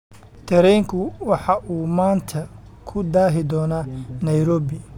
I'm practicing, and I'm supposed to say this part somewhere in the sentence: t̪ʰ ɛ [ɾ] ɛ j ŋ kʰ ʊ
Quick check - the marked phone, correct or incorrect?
correct